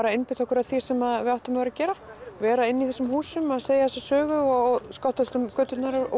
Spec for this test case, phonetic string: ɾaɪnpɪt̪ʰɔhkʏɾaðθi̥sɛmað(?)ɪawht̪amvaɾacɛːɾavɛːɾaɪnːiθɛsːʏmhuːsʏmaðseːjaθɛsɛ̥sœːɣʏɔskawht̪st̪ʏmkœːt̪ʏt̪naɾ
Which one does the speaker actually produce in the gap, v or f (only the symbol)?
v